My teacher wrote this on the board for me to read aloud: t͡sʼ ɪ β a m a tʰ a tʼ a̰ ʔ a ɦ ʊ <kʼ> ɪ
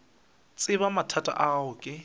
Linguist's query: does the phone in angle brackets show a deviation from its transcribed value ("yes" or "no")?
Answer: no